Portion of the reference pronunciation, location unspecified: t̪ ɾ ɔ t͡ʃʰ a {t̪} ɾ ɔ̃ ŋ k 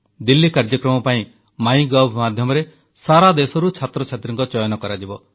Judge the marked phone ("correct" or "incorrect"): correct